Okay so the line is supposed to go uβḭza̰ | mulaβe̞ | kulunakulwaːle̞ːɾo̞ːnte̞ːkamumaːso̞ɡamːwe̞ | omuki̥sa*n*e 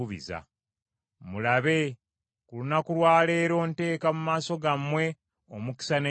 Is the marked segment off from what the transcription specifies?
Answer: no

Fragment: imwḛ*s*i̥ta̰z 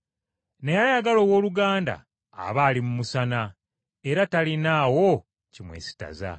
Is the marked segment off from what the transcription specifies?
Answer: no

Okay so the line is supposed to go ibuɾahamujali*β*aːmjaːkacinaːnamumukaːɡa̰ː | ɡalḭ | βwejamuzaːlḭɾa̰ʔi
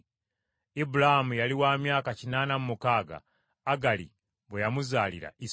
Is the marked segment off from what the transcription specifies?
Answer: yes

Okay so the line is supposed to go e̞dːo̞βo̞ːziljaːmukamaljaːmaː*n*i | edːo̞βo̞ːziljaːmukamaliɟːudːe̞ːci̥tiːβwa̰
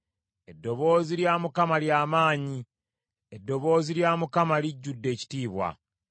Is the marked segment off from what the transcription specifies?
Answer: yes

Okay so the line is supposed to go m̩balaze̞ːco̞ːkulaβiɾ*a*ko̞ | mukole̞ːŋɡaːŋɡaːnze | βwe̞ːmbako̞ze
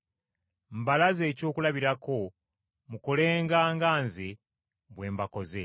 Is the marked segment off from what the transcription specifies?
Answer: no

